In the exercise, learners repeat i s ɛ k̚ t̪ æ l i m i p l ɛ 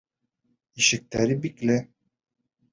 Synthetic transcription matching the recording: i ʃ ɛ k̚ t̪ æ ɾ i b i k l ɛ